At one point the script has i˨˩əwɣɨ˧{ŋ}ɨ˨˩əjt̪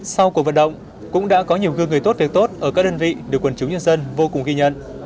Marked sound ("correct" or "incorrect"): correct